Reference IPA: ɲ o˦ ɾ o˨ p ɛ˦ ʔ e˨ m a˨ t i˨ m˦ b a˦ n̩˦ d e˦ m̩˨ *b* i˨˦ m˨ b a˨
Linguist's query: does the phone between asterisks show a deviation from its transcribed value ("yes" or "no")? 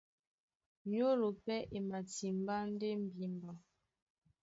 no